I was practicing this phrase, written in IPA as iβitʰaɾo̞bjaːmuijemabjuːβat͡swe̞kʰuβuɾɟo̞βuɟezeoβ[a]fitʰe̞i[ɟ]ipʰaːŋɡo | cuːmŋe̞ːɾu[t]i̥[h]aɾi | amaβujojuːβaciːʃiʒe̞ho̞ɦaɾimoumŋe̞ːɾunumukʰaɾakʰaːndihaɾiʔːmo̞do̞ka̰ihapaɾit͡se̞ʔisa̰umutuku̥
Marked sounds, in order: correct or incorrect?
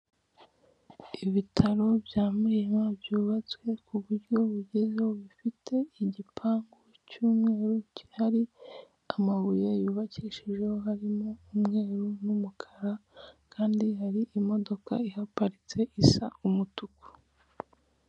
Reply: incorrect: i, correct, incorrect: c, correct

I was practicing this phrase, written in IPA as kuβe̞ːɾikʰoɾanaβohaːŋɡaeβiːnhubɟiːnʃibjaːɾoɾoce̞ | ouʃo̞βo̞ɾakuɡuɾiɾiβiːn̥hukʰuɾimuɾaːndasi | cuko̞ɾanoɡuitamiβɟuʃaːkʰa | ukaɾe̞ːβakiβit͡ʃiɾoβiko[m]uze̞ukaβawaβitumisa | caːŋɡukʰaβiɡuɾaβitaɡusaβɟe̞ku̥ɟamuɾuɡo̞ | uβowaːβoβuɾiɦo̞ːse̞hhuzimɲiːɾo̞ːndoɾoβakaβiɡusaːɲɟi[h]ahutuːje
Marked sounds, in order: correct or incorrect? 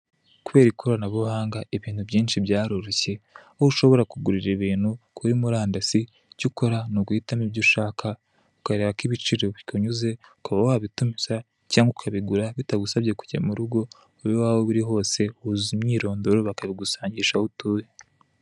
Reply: incorrect: ɲ, incorrect: ʃ

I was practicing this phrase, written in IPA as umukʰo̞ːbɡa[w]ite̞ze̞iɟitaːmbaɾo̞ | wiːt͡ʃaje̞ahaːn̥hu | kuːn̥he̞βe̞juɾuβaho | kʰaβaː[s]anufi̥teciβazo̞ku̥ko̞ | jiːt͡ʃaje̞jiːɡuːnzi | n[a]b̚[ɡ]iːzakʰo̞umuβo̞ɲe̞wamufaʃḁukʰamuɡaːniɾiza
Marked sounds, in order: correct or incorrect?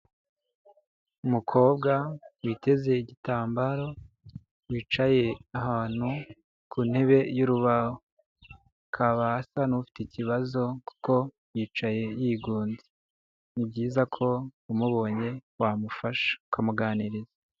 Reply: correct, correct, incorrect: i, incorrect: ɟ

